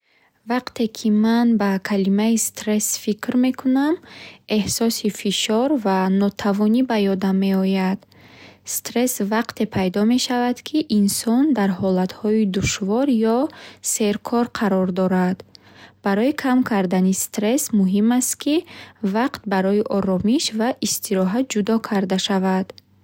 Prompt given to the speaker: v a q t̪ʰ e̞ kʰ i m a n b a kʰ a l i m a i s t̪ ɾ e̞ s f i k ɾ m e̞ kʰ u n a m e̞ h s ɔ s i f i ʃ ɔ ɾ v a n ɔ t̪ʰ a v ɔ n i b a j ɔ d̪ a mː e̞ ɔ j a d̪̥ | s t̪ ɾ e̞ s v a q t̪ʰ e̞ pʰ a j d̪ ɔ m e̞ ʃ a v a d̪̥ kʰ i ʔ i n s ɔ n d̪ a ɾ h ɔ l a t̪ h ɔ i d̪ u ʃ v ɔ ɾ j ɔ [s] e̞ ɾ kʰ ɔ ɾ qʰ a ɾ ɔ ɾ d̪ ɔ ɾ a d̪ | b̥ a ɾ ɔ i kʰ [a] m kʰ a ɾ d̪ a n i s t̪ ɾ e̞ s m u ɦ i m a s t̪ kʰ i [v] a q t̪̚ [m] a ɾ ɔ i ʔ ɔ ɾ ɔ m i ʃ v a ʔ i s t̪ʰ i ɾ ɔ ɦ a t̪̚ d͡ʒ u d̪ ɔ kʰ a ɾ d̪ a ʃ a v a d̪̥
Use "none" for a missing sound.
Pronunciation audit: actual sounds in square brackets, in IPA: s, a, v, b

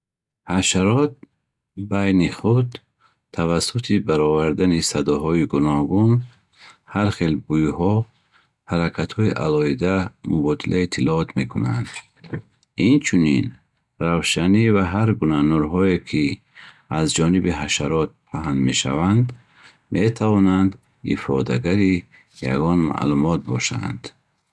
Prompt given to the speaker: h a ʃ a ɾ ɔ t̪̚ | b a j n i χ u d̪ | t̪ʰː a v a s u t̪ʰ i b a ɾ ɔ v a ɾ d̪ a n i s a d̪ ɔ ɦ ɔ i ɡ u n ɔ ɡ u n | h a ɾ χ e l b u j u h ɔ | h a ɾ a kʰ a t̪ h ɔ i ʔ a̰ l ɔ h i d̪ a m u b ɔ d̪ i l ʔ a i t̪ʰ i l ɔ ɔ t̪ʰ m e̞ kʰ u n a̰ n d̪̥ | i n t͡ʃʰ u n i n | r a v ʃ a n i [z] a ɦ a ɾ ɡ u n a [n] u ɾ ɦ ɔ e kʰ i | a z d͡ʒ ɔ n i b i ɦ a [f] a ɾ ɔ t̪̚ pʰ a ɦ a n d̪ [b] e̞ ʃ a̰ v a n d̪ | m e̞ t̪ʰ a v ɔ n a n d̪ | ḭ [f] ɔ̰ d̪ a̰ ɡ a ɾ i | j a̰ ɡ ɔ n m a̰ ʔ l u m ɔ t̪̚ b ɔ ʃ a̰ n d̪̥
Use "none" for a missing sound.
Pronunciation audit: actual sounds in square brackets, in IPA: v, n, ʃ, m, f

